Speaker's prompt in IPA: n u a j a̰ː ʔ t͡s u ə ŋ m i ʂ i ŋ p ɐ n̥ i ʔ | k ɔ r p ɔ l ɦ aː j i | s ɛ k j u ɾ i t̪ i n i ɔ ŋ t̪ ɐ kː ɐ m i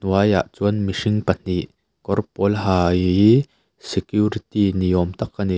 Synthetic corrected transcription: n u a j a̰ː ʔ t͡s u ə n m i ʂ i ŋ p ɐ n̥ i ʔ | k ɔ r p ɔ l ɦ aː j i | s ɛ k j u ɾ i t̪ i n i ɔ m t̪ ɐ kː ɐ n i